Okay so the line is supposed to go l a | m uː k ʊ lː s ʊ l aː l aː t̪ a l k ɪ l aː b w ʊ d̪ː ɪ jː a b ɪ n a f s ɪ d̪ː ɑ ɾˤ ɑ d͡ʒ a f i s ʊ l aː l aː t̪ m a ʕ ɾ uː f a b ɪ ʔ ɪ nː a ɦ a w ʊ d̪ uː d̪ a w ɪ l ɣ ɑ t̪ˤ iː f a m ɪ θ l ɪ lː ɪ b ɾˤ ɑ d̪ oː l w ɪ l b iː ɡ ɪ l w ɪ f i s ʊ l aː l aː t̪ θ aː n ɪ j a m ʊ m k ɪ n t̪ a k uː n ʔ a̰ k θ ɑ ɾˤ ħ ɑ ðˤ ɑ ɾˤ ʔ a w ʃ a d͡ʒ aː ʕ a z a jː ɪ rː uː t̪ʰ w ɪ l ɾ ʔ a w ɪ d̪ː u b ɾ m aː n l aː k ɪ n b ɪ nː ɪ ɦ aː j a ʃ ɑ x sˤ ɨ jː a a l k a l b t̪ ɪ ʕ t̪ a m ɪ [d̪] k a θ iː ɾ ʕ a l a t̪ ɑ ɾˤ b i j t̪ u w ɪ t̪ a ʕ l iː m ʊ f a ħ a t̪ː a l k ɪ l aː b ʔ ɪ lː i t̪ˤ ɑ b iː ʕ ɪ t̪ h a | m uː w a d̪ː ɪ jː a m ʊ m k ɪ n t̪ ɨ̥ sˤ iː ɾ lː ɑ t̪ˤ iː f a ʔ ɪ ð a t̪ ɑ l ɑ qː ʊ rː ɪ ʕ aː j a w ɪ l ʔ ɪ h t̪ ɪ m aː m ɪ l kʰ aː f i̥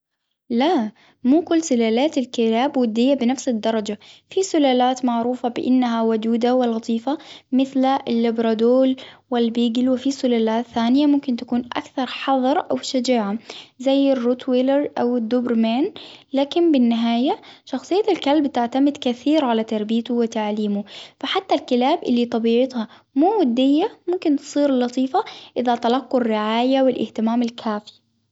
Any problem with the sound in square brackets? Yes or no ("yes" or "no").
no